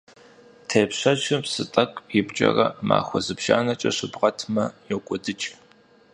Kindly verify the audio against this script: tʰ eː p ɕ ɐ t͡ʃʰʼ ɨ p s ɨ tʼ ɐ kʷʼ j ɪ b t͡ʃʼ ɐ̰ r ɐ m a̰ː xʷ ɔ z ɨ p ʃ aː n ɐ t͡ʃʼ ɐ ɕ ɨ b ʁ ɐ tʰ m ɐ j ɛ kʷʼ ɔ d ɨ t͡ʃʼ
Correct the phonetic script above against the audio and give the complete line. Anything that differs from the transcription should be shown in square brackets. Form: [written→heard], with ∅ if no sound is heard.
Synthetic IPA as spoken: tʰ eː p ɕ ɐ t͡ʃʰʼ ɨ p s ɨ tʼ ɐ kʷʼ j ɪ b t͡ʃʼ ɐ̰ r ɐ m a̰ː xʷ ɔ z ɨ p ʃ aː n ɐ t͡ʃʼ ɐ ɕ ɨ b ʁ ɐ tʰ m ɐ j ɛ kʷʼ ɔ d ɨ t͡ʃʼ